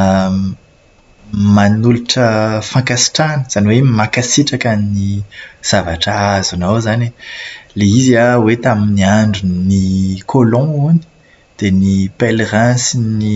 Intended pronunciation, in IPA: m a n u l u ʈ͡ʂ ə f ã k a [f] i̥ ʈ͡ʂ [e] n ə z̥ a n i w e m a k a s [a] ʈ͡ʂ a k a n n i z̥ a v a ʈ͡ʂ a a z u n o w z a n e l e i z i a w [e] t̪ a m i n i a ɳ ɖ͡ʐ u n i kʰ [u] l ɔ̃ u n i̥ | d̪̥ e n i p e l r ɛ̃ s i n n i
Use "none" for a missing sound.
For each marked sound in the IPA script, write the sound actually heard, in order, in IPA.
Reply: s, a, i, e, o

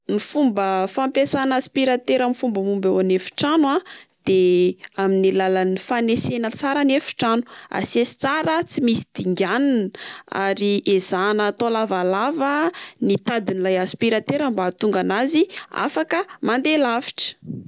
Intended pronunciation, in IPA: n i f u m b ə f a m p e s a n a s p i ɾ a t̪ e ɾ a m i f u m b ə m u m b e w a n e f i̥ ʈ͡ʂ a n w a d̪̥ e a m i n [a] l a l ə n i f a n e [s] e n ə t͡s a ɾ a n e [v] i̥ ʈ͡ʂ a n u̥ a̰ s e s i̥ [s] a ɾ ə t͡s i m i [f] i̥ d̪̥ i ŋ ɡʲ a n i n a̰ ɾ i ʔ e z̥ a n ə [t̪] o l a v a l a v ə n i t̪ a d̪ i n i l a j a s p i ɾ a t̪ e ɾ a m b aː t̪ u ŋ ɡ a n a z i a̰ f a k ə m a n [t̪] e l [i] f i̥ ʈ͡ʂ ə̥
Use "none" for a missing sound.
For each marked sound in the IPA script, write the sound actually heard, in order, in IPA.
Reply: i, s, f, t͡s, s, t̪, d̪, a

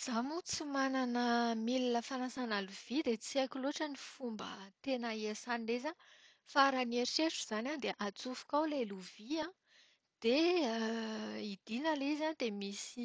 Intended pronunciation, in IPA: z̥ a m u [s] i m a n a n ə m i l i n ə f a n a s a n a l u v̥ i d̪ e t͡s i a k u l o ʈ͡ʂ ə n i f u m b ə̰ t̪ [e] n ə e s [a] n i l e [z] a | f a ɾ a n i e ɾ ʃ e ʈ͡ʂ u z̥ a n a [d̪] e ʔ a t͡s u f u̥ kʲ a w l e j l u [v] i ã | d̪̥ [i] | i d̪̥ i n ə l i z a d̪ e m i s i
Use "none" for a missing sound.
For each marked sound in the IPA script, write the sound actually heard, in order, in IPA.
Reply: t͡s, e, a, z, d̪, v, e

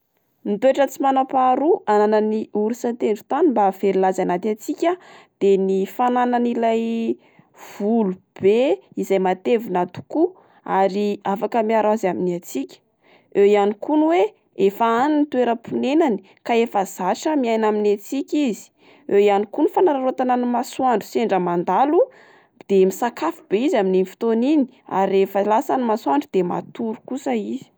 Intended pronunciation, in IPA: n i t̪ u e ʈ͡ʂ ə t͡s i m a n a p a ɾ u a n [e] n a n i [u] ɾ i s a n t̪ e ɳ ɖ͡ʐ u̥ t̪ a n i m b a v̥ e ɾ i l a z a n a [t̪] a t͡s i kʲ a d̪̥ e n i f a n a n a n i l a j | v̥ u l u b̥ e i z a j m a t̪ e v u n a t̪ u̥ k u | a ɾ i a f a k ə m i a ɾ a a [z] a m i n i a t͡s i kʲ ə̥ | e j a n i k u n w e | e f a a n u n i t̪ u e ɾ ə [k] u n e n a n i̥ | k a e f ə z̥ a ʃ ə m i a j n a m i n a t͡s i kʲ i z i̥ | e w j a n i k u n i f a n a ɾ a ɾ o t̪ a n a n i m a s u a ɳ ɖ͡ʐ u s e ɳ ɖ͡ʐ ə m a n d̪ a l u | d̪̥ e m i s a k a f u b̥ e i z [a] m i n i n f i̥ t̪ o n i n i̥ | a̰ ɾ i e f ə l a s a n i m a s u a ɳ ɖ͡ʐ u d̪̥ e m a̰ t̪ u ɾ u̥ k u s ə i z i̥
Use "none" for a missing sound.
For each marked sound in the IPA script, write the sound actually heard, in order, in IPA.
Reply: a, u, t̪, z, p, a

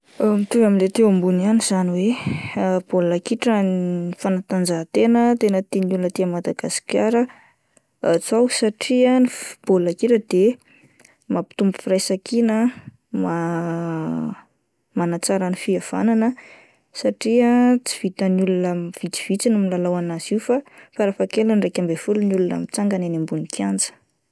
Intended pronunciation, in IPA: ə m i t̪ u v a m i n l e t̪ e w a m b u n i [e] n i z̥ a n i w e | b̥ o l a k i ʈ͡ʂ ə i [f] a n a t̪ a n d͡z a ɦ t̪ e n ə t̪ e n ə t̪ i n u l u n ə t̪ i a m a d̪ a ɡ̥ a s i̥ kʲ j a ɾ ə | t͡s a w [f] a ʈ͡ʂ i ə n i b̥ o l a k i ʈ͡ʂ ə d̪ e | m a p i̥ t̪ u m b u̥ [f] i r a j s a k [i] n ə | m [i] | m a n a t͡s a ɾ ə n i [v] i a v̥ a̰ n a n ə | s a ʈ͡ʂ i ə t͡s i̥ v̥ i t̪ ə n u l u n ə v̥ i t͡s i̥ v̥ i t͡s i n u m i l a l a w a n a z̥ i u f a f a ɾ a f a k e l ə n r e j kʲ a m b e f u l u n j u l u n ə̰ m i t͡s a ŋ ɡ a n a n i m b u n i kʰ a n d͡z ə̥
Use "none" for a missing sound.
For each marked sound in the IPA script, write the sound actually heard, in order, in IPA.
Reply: a, f, s, f, i, a, f

